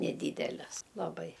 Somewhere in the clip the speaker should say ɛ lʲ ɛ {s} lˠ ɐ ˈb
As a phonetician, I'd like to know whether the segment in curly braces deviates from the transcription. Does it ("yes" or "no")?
no